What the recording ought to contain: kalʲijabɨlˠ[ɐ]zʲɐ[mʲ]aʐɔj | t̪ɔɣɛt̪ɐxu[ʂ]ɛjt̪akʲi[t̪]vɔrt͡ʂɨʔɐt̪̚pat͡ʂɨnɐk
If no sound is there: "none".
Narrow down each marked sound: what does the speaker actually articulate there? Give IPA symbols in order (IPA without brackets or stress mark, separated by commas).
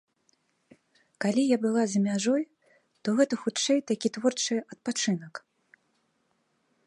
a, mʲ, t͡ʂ, t̪